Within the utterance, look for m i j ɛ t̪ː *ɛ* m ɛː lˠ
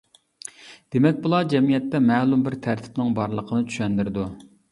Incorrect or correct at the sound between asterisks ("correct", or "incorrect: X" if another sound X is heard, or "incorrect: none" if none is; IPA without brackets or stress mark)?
correct